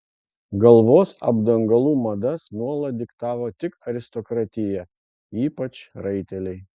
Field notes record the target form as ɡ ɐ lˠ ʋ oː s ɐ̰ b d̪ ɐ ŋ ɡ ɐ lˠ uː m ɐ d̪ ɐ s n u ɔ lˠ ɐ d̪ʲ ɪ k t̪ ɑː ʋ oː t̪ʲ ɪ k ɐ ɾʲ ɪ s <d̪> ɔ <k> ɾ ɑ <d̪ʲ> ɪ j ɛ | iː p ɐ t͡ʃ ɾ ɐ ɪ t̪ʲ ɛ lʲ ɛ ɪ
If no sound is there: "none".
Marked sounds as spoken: t̪, k, t̪ʲ

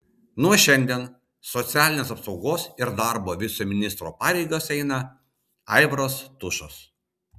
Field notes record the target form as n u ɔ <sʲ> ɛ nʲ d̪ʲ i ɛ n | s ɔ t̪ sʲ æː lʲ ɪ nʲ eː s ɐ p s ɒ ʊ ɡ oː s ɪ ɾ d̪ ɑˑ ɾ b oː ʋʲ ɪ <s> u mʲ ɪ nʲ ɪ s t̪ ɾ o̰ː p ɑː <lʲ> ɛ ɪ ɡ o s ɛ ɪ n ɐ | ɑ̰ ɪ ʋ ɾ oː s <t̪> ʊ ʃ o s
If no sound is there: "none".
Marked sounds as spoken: ʃʲ, s, ɾʲ, t̪

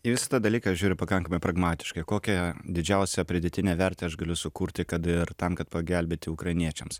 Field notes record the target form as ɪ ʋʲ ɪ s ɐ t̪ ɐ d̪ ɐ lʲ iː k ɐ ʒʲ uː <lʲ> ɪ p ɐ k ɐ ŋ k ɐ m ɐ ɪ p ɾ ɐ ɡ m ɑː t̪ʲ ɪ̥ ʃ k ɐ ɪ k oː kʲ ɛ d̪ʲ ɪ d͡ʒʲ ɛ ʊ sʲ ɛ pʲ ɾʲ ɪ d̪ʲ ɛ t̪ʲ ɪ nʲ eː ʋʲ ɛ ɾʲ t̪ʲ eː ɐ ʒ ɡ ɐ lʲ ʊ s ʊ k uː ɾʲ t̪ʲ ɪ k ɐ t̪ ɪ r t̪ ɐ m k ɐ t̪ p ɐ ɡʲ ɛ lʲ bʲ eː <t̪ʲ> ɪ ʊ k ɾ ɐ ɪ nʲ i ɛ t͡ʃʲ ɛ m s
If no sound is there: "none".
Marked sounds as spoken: ɾʲ, t̪ʲ

